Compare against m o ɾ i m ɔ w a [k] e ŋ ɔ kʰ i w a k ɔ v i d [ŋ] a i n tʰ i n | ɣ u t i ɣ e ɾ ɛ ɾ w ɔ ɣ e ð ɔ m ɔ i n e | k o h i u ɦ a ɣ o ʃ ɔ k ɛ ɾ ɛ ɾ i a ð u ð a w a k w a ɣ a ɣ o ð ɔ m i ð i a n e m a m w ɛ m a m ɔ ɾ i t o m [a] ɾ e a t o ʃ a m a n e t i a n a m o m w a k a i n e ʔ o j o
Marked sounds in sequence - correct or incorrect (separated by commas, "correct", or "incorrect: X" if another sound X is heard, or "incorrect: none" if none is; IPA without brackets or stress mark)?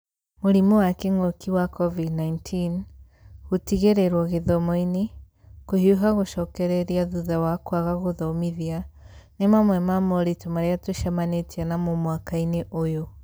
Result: correct, incorrect: n, correct